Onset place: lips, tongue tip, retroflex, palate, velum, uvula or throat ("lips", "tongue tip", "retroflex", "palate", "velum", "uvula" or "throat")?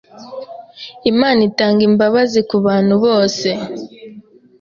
lips